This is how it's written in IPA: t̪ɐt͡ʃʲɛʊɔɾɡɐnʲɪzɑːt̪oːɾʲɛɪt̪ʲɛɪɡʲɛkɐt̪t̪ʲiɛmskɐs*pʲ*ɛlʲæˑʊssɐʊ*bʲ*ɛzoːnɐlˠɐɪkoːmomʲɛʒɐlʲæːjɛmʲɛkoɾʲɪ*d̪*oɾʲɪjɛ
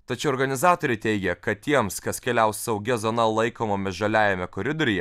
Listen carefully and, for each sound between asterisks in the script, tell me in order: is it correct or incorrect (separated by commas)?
incorrect, incorrect, correct